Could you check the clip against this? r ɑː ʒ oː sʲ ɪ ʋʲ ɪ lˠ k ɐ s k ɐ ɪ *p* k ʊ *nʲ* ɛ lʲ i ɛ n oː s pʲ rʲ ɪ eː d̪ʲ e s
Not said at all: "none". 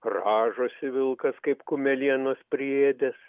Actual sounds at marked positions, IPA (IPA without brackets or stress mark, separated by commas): p, mʲ